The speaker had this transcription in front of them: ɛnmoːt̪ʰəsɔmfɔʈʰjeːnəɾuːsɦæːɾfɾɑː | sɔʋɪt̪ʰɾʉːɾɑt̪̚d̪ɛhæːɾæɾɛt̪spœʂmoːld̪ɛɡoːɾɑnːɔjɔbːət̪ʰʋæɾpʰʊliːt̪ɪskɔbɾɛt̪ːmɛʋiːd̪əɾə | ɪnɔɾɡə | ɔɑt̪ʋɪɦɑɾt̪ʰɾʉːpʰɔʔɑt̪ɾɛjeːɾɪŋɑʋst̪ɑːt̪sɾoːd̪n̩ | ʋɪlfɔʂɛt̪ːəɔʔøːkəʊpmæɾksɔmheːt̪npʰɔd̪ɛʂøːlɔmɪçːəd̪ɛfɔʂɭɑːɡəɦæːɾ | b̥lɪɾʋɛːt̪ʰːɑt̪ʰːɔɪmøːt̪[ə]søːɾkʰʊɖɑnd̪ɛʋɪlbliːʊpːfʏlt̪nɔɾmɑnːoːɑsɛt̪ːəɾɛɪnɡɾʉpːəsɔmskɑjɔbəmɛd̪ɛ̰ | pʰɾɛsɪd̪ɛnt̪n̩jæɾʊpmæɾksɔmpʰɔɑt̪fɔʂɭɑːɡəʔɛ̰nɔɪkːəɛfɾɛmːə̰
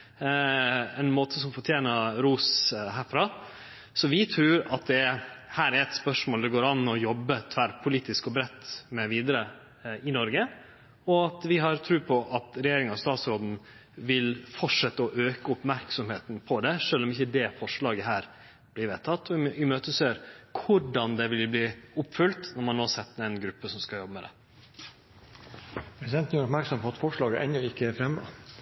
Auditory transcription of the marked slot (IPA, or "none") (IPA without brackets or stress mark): ə